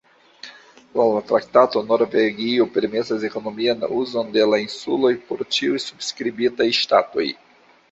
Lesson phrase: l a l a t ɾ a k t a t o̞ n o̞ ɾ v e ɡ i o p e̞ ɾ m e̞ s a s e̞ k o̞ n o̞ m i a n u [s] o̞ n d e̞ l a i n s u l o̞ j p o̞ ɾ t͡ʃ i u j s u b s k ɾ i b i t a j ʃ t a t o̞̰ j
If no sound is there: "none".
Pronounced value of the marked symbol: z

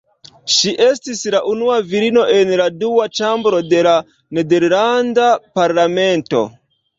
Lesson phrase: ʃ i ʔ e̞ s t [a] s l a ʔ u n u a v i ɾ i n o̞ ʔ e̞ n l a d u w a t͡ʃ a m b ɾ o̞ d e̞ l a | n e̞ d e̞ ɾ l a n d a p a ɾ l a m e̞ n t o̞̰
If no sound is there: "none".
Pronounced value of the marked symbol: i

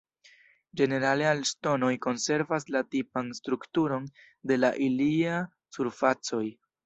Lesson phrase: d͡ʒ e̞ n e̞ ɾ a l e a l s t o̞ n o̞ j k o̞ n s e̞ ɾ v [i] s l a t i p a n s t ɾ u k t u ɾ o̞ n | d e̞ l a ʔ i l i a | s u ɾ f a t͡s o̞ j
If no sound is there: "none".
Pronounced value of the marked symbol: a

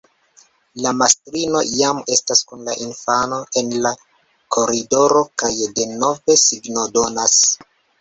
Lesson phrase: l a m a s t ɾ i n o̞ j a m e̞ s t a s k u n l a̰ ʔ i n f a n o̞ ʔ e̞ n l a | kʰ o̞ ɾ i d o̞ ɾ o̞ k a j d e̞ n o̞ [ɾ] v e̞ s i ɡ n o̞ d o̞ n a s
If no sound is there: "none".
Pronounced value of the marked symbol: none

